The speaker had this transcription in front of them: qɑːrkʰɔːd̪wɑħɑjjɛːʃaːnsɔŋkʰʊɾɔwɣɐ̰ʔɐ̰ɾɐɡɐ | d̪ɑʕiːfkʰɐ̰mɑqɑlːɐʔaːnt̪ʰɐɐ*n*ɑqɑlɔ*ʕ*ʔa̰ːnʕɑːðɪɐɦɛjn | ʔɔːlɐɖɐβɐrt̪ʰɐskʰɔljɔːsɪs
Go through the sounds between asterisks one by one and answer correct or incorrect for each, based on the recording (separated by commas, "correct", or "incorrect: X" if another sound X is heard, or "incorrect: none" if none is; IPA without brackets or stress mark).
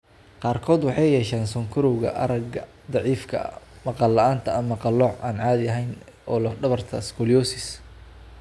incorrect: m, correct